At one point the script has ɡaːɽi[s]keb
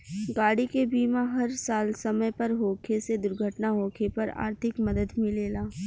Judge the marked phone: incorrect: none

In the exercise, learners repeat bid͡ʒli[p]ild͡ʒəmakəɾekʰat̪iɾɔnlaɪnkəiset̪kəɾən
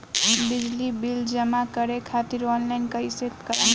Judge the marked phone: incorrect: b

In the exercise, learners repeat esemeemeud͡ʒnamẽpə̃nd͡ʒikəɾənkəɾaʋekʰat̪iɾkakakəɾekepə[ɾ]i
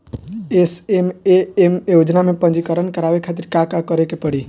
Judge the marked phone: incorrect: ɽ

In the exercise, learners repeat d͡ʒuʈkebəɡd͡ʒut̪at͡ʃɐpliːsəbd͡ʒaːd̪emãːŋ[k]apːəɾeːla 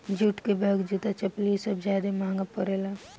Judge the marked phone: incorrect: ɡ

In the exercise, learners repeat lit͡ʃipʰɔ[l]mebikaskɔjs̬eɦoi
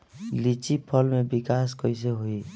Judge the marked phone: correct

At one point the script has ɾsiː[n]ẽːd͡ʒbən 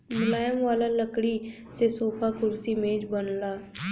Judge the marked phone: incorrect: m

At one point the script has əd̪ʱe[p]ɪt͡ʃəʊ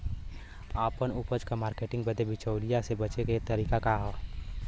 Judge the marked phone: incorrect: b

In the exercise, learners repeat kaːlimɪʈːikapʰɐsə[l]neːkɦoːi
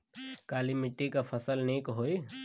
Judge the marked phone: correct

